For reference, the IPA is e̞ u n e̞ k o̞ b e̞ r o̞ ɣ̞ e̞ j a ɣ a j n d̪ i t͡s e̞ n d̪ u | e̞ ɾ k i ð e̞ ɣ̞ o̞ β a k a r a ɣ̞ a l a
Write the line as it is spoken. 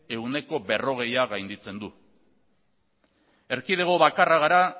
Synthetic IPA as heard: e̞ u n e̞ k o̞ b e̞ r o̞ ɣ̞ e̞ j a ɣ a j n d̪ i t͡s e̞ n d̪ u | e̞ ɾ k i ð e̞ ɣ̞ o̞ β a k a r a ɣ̞ a ɾ a